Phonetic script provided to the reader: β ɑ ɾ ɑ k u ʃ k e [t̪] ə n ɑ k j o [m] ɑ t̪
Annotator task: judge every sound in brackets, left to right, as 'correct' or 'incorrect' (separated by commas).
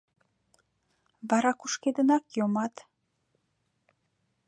incorrect, correct